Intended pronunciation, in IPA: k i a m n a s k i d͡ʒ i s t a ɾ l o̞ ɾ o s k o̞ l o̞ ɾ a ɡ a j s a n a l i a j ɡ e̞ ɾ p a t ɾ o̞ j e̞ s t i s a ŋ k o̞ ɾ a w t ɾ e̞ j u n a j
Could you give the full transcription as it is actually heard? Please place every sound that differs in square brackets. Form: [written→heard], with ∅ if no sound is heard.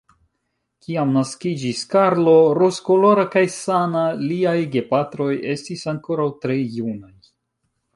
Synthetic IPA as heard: k i a m n a s k i d͡ʒ i s [t→k] a ɾ l o̞ ɾ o s k o̞ l o̞ ɾ a [ɡ→k] a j s a n a l i a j ɡ e̞ [ɾ→∅] p a t ɾ o̞ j e̞ s t i s a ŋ k o̞ ɾ a w t ɾ e̞ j u n a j